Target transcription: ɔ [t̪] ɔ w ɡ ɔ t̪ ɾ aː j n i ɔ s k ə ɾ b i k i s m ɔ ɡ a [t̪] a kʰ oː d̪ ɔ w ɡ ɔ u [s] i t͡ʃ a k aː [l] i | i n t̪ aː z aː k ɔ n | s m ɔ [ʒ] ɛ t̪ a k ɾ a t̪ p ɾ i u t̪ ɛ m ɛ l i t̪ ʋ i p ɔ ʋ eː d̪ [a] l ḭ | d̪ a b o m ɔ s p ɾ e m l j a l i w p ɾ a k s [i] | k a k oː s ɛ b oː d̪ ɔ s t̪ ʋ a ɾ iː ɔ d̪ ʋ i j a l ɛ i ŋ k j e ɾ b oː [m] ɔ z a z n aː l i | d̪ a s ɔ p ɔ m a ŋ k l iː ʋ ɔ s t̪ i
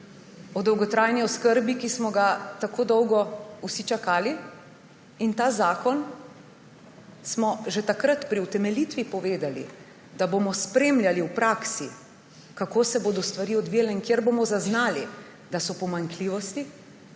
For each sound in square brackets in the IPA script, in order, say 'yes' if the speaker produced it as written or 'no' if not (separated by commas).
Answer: no, yes, yes, yes, yes, yes, yes, yes